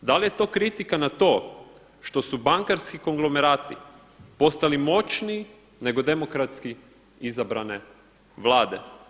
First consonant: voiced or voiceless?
voiced